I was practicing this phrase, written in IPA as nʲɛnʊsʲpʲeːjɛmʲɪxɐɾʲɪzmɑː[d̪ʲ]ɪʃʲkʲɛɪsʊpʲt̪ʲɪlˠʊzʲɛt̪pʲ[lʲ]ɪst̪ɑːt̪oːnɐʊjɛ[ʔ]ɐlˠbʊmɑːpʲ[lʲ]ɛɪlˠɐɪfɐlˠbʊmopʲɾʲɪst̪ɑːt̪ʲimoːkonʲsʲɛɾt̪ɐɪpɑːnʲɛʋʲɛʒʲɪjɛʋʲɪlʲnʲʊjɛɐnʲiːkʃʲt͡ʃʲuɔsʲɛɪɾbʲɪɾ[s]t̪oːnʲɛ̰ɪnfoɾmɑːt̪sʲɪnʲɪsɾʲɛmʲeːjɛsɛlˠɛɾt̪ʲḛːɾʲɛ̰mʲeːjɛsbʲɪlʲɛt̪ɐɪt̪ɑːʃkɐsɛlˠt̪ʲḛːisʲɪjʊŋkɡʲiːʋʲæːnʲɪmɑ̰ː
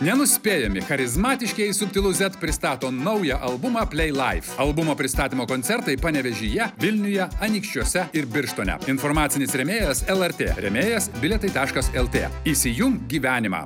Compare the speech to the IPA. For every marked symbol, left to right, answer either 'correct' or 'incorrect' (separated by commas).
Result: incorrect, incorrect, correct, correct, incorrect